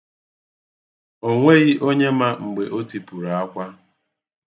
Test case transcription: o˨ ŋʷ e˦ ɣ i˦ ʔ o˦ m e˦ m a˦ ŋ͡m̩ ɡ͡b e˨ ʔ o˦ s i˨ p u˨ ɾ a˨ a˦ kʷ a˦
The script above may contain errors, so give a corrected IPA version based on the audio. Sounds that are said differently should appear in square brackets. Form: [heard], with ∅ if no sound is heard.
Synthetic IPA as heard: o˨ ŋʷ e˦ ɣ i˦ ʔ o˦ [ɲ] e˦ m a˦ ŋ͡m̩ ɡ͡b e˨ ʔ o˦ [t] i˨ p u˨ ɾ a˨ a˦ kʷ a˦